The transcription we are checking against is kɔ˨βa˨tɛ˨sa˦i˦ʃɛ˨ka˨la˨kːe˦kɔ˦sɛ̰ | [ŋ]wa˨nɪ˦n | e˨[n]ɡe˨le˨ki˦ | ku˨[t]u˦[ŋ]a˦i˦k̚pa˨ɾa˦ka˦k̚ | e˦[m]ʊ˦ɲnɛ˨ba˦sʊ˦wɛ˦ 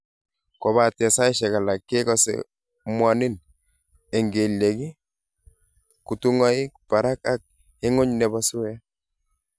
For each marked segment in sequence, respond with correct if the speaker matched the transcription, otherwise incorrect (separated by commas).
incorrect, incorrect, correct, correct, incorrect